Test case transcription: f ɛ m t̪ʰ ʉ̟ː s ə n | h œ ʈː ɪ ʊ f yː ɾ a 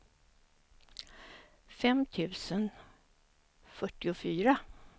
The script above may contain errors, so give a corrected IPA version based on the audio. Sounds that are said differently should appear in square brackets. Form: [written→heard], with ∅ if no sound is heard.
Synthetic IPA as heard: f ɛ m t̪ʰ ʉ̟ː s ə n | [h→f] œ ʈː ɪ ʊ f yː ɾ a